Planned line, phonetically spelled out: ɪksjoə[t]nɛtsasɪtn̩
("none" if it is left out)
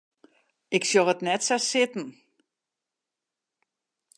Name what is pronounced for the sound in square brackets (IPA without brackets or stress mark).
t